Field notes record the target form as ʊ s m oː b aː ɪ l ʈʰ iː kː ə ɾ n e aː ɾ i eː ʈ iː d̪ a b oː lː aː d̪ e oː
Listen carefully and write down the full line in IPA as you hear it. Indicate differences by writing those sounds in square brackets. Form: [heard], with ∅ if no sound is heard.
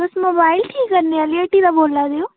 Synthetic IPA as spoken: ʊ s m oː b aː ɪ l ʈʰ iː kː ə ɾ n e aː [l] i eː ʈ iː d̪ a b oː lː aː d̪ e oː